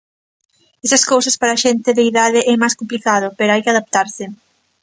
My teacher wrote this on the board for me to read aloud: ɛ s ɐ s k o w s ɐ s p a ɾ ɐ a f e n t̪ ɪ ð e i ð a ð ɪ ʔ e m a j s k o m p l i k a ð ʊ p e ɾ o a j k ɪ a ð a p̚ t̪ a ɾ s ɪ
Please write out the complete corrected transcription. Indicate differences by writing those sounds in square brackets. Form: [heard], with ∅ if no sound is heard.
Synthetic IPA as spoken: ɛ s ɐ s k o w s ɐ s p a ɾ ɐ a [ʃ] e n t̪ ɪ ð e i ð a ð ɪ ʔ [ɛ] m a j s k o m p l i k a ð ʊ p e ɾ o a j k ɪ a ð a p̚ t̪ a ɾ s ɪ

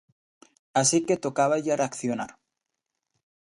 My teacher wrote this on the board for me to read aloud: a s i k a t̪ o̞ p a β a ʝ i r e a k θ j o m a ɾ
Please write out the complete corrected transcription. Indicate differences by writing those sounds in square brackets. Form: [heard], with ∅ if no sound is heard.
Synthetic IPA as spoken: a s i k [e] t̪ o̞ [k] a β a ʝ [a] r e a k θ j o [n] a ɾ

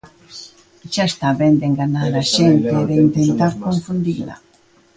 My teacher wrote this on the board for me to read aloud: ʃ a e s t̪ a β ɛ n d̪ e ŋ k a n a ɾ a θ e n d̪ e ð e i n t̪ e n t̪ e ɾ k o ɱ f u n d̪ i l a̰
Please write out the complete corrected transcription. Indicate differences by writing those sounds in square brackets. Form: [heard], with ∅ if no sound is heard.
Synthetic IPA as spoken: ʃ a e s t̪ a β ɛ n d̪ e ŋ [ɡ] a n a ɾ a [ʃ] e n [t̪] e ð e i n t̪ e n t̪ [a] ɾ k o ɱ f u n d̪ i l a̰

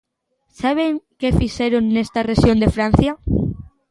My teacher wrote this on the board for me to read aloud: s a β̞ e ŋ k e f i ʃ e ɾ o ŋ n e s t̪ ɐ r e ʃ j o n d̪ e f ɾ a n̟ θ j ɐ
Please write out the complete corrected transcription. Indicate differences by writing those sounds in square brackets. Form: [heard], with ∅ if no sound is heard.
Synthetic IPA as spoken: s a β̞ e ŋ k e f i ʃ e ɾ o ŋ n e s t̪ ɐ r e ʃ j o n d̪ e f ɾ a n̟ θ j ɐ

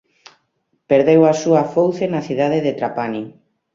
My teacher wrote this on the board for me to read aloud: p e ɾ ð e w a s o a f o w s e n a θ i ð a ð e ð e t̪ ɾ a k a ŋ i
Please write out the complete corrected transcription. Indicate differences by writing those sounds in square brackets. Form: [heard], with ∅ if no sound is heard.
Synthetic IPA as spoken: p e ɾ ð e w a s [u] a f o w [θ] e n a θ i ð a ð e ð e t̪ ɾ a [p] a [n] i

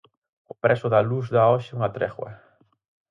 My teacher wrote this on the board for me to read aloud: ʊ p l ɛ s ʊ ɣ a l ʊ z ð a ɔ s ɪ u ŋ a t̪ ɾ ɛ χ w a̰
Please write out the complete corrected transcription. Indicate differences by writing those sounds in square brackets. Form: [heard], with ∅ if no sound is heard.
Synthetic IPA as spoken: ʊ p [ɾ] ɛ s ʊ [ð] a l [u] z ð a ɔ [ʃ] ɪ u ŋ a t̪ ɾ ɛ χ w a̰

